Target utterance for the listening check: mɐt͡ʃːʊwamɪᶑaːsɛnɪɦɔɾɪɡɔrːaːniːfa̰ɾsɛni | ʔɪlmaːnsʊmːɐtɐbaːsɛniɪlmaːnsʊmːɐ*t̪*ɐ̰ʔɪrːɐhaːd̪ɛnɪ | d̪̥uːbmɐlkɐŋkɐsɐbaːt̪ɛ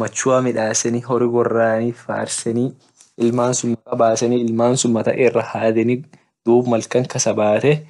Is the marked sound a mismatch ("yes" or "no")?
no